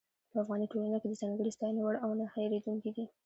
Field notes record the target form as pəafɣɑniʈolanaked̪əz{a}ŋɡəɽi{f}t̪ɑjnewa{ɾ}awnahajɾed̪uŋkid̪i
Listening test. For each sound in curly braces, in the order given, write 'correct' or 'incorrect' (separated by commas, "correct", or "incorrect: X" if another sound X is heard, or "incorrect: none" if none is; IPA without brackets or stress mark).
incorrect: ɑ, incorrect: s, incorrect: ɽ